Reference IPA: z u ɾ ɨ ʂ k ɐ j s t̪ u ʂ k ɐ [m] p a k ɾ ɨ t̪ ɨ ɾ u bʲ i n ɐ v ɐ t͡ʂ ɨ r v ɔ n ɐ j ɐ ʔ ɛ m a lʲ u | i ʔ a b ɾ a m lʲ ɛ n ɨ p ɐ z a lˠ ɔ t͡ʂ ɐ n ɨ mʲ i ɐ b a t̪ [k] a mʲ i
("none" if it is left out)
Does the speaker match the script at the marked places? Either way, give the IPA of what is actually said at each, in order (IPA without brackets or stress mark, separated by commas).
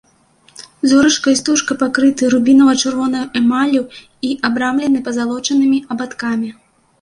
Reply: none, k